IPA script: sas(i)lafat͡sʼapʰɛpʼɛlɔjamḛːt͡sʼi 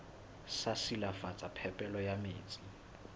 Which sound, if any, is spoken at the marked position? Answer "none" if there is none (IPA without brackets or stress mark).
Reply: i